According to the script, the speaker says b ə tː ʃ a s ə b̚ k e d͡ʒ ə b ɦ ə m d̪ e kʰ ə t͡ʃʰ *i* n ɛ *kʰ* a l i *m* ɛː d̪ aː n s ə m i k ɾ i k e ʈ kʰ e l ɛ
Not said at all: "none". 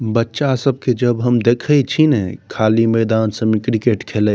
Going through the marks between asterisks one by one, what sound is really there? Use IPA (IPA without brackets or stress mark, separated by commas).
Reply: i, kʰ, m